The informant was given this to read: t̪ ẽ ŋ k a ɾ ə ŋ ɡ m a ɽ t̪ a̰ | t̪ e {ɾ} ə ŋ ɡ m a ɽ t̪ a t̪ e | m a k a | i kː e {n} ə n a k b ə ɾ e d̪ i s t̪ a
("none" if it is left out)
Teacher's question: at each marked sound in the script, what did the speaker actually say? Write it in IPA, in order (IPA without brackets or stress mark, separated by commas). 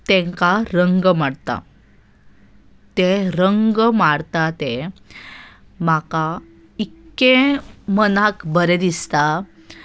ɾ, m